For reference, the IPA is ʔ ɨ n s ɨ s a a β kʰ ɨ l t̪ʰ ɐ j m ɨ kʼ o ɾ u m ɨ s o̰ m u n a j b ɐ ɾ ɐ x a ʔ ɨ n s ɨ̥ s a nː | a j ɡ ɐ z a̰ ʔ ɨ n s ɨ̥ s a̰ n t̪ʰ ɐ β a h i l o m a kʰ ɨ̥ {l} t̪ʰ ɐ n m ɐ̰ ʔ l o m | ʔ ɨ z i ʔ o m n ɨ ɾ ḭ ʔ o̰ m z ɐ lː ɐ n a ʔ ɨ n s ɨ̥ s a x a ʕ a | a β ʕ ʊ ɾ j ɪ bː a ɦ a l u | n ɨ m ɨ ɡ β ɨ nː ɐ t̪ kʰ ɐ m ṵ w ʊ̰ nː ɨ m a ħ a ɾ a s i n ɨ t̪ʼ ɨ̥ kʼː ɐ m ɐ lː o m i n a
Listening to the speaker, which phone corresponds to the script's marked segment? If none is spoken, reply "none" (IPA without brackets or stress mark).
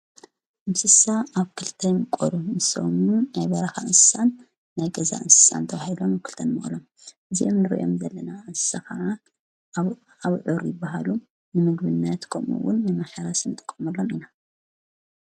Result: l